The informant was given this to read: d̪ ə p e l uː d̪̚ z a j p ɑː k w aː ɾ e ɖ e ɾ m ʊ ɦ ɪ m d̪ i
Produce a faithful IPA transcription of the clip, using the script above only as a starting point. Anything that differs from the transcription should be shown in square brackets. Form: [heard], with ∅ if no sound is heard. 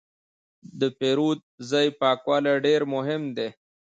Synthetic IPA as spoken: d̪ ə p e [ɾ] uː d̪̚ z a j p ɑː k w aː [l] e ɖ e ɾ m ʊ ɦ ɪ m d̪ [e]